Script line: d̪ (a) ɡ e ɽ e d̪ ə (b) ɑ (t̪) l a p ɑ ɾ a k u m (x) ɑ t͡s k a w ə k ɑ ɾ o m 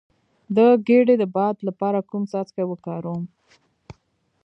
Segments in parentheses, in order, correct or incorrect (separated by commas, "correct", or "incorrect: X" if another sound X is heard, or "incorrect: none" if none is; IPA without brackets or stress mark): incorrect: ə, correct, incorrect: d̪, incorrect: s